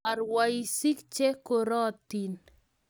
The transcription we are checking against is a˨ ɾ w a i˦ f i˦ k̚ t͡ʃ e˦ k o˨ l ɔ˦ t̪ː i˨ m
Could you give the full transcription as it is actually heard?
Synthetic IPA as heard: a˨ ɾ w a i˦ s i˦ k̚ t͡ʃ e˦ k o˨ ɾ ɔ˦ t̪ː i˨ n